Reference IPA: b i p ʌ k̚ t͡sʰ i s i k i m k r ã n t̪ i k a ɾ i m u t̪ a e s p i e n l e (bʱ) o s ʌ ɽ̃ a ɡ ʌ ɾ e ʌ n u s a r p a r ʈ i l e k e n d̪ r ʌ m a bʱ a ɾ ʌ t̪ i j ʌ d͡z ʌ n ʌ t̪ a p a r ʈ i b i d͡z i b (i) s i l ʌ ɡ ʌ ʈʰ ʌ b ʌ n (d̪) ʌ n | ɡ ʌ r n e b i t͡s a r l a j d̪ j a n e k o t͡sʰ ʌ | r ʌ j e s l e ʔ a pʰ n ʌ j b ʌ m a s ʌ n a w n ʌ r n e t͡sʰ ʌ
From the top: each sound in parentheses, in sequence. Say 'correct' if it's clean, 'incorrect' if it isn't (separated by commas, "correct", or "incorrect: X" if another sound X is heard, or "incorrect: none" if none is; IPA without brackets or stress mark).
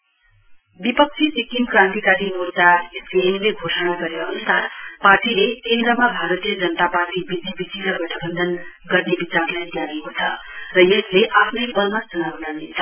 incorrect: ɡʱ, correct, correct